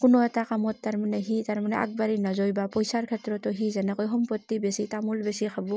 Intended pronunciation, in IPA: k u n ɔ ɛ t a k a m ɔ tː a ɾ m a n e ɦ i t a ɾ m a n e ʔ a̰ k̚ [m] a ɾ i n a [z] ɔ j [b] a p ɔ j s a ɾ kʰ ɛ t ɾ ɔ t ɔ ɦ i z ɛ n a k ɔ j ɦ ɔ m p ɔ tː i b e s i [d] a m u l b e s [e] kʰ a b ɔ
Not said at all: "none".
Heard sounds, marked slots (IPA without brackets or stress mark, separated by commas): b, z, b, t, i